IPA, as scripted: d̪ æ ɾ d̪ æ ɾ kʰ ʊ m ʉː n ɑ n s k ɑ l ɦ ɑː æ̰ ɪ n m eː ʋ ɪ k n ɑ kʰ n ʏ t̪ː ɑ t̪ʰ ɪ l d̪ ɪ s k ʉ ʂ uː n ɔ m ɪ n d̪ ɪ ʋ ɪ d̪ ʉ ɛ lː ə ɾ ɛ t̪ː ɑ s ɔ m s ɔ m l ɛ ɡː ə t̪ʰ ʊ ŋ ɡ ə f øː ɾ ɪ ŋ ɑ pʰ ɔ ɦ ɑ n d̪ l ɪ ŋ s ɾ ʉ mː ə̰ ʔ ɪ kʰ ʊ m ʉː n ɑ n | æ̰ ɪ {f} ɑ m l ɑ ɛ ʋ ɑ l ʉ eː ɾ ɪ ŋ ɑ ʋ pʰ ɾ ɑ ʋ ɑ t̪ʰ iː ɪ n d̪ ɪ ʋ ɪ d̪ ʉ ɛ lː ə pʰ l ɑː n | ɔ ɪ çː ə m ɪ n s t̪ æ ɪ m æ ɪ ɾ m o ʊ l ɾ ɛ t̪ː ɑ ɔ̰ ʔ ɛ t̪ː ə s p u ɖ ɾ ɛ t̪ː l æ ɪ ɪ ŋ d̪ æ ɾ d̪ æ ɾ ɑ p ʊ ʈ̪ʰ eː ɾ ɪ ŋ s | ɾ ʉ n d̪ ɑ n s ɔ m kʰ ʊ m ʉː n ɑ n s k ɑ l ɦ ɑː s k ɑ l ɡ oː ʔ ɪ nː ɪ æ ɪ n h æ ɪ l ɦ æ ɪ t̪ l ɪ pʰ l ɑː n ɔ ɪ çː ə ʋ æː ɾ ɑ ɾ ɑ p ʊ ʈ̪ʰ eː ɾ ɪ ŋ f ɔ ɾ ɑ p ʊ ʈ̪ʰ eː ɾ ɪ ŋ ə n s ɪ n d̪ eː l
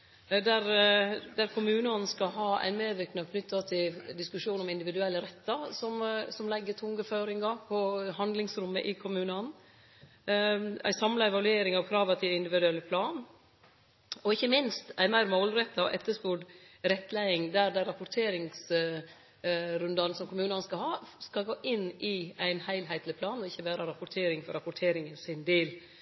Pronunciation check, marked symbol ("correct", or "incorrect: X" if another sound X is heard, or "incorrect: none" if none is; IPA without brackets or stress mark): incorrect: s